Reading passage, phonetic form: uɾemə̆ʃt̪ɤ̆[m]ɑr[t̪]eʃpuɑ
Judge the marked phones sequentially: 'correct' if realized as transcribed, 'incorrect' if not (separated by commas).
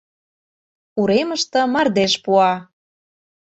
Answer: correct, incorrect